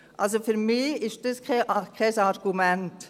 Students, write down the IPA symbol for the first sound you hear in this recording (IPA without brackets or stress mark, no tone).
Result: ʔ